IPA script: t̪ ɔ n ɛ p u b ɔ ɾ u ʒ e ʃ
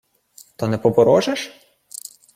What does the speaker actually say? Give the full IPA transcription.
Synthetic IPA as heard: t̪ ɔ n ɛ p ɔ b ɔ ɾ ɔ ʒ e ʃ